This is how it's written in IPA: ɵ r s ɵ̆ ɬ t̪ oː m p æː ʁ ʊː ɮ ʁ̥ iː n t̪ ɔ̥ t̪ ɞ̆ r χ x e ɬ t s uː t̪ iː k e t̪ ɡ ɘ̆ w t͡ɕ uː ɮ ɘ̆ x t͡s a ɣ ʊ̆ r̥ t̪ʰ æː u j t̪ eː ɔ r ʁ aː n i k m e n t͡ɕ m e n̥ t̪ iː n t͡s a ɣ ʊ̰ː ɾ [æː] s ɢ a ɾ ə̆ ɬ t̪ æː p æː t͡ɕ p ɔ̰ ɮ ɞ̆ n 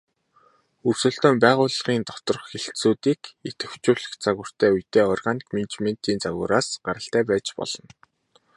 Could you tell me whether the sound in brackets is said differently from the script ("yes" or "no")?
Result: yes